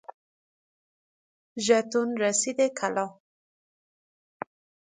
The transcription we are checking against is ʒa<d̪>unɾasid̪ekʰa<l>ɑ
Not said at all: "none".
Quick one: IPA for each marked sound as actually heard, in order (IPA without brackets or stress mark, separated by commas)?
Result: t̪, l